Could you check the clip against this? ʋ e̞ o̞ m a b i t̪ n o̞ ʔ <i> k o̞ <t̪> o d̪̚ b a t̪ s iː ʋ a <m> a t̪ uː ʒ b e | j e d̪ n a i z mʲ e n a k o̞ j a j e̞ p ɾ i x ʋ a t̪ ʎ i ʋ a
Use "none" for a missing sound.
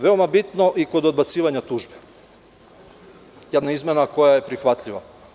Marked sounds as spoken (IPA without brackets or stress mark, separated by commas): i, d̪, ɲ